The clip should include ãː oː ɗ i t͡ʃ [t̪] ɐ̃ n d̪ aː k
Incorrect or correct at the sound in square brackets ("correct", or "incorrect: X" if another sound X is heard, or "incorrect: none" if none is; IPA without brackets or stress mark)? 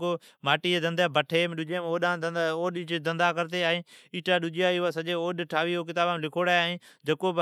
incorrect: d̪